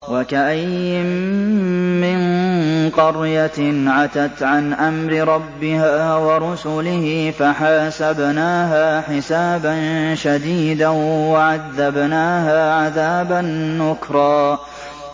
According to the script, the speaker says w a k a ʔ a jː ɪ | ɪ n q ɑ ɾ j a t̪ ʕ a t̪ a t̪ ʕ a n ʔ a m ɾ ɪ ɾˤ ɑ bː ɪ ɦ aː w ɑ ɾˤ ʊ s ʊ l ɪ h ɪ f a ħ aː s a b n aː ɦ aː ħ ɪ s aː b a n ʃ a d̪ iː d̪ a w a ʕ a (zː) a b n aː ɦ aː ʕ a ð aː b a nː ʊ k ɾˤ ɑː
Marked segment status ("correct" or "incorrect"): incorrect